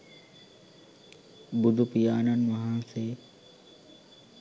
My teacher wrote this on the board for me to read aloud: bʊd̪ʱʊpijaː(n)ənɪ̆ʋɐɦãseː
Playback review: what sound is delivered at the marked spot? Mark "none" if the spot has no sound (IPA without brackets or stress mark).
n